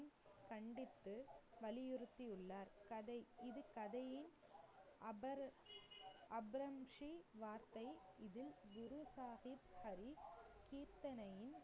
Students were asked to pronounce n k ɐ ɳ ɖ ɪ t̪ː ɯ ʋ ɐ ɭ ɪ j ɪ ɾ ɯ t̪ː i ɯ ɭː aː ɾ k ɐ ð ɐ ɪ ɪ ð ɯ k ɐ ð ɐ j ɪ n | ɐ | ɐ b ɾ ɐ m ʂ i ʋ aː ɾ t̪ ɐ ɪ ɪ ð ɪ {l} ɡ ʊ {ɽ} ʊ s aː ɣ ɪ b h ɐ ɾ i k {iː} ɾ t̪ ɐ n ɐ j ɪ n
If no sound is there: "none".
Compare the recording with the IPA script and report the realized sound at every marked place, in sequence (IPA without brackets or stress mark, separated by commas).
l, ɾ, iː